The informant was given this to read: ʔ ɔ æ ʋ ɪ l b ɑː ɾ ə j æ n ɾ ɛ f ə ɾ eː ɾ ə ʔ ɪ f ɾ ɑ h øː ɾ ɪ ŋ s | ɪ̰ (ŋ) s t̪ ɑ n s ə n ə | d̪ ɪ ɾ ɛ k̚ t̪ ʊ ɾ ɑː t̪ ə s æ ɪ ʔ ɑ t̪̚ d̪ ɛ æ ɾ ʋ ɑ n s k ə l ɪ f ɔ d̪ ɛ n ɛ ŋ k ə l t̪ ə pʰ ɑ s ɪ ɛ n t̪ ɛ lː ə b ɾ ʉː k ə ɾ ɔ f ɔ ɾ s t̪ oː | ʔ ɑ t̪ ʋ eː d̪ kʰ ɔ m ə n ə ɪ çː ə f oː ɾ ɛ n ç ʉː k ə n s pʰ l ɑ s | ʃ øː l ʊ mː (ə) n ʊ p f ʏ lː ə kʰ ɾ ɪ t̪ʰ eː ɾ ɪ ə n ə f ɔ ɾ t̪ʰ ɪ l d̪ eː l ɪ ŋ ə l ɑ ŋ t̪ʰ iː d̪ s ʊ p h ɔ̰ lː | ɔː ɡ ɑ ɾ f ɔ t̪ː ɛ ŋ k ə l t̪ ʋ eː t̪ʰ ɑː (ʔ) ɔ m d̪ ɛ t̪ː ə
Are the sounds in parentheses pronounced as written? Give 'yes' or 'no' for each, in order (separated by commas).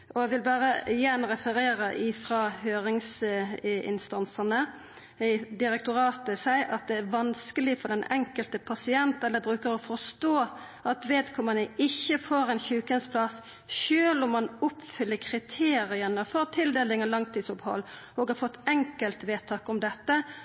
no, no, no